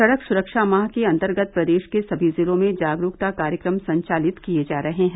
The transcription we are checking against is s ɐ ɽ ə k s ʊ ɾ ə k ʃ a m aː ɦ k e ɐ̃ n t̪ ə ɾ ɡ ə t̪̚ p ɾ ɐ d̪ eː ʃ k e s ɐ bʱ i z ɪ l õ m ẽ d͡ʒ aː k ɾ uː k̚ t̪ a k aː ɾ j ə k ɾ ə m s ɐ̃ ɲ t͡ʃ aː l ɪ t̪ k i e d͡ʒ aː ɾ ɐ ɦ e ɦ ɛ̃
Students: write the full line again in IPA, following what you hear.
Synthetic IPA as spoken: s ɐ ɽ ə k s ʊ ɾ ə k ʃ a m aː ɦ k e ɐ̃ n t̪ ə ɾ ɡ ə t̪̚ p ɾ ɐ d̪ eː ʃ k e s ɐ bʱ i z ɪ l õ m ẽ d͡ʒ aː ɡ ɾ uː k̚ t̪ a k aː ɾ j ə k ɾ ə m s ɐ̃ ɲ t͡ʃ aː l ɪ t̪ k i e d͡ʒ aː ɾ ɐ ɦ e ɦ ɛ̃